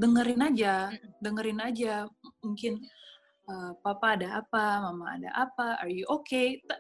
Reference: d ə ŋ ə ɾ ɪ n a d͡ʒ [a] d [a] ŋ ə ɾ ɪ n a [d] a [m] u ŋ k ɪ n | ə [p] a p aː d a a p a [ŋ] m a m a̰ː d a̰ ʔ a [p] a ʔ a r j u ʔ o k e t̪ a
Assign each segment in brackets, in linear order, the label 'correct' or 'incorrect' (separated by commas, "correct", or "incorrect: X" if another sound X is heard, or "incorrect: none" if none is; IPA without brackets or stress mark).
correct, incorrect: ə, incorrect: d͡ʒ, correct, correct, incorrect: none, correct